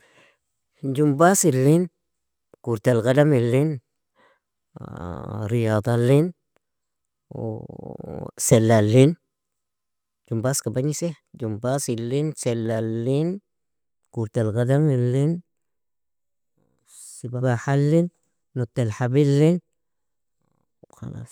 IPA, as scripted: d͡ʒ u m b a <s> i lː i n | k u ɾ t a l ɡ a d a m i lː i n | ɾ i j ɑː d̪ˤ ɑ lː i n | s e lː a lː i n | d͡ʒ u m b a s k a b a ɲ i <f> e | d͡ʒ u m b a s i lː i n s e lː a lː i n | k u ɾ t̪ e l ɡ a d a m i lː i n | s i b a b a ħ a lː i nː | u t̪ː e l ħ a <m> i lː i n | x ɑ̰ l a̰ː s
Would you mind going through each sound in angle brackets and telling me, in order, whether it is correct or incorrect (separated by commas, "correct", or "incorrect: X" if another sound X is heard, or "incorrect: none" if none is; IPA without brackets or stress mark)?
correct, incorrect: s, incorrect: b